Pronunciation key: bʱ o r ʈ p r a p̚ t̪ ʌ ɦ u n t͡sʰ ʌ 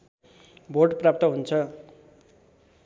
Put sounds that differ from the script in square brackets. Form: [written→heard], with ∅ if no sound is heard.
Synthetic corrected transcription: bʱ o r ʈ p r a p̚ t̪ ʌ ɦ u n t͡sʰ ʌ